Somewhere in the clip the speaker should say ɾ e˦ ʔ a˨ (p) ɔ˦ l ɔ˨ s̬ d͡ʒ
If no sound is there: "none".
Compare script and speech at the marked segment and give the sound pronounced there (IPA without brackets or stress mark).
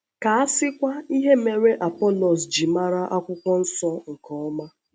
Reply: p